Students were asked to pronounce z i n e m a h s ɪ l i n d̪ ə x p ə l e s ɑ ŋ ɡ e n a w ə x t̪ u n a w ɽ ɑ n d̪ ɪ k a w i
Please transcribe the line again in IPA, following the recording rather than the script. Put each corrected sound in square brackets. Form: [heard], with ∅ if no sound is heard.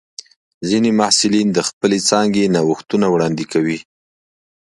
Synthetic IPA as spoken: z i n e m a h s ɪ l i n d̪ ə x p ə l e [t͡s] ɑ ŋ ɡ e n a w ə x t̪ u n a w ɽ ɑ n d̪ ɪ k a w i